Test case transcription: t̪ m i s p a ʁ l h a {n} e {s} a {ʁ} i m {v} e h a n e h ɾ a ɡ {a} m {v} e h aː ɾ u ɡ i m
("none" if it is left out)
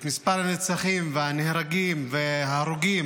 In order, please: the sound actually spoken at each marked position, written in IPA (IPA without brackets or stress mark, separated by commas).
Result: n, t͡s, χ, v, i, v